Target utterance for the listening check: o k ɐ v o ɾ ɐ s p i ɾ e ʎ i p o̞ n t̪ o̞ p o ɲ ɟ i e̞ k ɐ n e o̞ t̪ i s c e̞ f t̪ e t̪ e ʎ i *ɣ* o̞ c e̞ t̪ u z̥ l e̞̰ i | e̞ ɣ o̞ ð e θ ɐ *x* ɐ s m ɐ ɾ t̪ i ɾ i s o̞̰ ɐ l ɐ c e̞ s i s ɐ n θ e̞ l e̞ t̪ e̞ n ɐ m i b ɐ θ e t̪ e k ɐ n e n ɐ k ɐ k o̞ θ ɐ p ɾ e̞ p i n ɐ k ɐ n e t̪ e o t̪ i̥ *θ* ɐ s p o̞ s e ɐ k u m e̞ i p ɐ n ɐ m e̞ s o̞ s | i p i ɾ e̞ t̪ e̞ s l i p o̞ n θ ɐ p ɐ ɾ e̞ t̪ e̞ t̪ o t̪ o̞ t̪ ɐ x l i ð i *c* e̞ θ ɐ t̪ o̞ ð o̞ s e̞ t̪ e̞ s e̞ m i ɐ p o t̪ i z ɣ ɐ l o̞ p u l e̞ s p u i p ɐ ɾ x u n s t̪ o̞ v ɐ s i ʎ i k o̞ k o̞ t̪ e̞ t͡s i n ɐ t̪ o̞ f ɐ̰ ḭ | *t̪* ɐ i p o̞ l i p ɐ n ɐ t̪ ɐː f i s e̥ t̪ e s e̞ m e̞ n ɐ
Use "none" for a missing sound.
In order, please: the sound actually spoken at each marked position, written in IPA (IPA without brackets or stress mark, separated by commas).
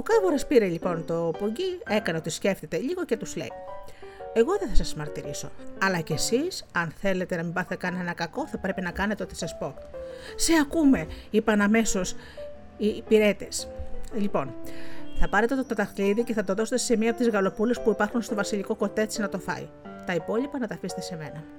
ɣ, s, s, c, t̪